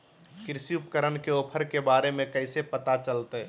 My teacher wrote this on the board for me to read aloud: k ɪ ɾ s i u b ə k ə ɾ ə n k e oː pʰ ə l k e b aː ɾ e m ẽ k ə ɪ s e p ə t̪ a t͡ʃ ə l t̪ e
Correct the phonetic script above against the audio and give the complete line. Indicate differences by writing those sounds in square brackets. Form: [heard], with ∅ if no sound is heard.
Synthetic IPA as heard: k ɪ ɾ s i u [p] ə k ə ɾ ə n k e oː pʰ ə [ɾ] k e b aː ɾ e m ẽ k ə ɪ s e p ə t̪ a t͡ʃ ə l t̪ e